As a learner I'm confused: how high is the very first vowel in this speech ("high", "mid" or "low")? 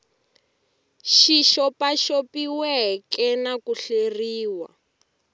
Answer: high